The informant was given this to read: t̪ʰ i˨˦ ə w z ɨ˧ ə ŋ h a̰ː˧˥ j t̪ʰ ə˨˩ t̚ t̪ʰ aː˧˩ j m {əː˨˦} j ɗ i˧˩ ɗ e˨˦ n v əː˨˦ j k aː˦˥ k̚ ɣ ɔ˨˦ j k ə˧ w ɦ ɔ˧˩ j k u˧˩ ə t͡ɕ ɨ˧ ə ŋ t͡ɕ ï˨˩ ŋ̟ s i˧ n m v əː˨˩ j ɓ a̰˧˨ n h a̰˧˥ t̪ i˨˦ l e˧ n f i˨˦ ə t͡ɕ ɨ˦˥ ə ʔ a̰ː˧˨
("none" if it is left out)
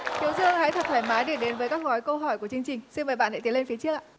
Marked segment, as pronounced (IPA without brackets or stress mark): aː˨˦